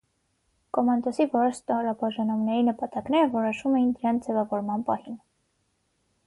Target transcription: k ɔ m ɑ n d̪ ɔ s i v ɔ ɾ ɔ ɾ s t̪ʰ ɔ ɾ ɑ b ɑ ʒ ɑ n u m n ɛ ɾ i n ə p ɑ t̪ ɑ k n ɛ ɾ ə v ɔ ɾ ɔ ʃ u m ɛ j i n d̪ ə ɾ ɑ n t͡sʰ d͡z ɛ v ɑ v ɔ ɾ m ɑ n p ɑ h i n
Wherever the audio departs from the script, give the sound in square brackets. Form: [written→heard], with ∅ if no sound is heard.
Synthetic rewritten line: k ɔ m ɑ n d̪ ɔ s i v ɔ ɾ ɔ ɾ s [t̪ʰ→t̪] ɔ ɾ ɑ b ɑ ʒ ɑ n u m n ɛ ɾ i n ə p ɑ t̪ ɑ k n ɛ ɾ ə v ɔ ɾ ɔ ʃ u m ɛ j i n d̪ ə ɾ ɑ n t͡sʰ d͡z ɛ v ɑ v ɔ ɾ m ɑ n p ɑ h i n